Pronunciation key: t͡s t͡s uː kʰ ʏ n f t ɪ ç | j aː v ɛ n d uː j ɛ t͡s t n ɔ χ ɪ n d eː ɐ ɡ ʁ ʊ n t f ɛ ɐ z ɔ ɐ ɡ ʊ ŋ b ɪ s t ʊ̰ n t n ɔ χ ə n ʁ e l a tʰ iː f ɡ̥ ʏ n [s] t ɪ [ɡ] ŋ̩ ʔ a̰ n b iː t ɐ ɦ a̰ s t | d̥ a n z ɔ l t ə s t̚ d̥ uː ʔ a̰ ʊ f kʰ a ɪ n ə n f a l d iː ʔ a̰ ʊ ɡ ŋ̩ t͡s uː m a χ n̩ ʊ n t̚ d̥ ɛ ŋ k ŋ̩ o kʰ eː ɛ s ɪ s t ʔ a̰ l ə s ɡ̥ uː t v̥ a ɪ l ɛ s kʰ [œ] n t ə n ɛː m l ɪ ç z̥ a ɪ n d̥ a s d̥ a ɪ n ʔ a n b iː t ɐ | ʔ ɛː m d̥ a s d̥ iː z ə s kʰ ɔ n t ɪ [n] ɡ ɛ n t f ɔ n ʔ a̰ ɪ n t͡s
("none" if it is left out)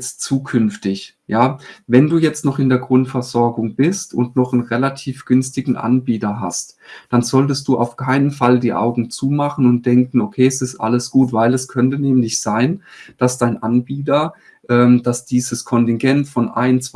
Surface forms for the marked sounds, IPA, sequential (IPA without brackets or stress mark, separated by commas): s, ɡ, œ, ŋ